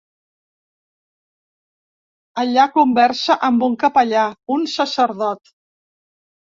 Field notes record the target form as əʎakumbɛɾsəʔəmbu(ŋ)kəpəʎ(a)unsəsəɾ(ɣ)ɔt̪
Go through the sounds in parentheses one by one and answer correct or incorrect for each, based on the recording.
correct, correct, incorrect

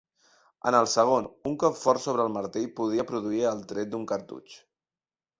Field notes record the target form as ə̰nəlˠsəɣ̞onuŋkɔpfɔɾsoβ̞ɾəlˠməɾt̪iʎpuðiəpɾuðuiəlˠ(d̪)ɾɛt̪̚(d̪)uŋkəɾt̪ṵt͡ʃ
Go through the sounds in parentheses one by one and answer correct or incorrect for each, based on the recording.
incorrect, correct

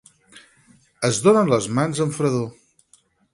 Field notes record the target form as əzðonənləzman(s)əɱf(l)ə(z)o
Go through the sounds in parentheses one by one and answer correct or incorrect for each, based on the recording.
incorrect, incorrect, incorrect

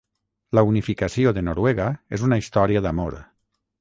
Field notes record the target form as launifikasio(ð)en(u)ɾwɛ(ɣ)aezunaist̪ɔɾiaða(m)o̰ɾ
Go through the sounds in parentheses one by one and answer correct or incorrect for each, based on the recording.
correct, incorrect, correct, correct

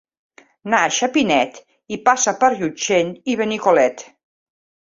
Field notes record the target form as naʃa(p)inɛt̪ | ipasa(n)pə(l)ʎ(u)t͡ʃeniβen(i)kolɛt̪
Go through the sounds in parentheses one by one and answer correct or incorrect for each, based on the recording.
correct, incorrect, incorrect, correct, correct

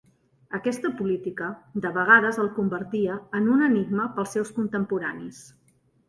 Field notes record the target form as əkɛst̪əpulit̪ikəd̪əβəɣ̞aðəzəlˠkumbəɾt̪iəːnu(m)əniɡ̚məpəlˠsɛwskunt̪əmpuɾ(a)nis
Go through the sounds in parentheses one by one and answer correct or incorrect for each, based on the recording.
incorrect, correct

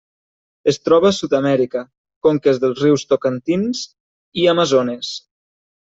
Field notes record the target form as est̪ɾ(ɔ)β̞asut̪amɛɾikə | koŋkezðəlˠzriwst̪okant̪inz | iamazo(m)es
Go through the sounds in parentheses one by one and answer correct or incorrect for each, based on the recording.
correct, incorrect

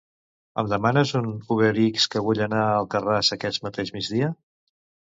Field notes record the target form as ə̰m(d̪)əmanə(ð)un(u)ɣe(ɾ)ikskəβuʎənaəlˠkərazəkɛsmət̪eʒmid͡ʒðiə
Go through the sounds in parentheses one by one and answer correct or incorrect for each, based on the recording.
correct, incorrect, correct, correct

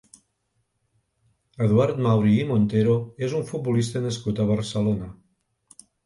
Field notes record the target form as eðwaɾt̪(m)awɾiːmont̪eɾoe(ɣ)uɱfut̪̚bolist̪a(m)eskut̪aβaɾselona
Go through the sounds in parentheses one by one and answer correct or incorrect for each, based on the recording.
correct, incorrect, incorrect

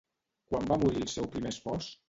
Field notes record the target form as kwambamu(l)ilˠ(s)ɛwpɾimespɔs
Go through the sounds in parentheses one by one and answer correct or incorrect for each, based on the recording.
incorrect, correct

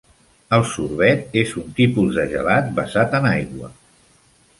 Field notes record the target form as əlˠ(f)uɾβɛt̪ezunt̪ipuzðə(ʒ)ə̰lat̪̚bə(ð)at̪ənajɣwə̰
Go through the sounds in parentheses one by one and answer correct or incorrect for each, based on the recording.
incorrect, correct, incorrect

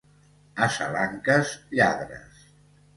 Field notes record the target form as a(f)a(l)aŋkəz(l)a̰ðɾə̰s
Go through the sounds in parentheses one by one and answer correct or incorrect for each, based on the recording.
incorrect, correct, incorrect

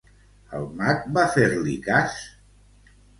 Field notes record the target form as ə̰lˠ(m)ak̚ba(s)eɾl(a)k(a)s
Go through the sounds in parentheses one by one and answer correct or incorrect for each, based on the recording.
correct, incorrect, incorrect, correct

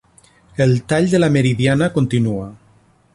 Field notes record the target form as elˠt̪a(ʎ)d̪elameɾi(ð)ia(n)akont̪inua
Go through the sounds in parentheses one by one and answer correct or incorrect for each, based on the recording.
correct, correct, correct

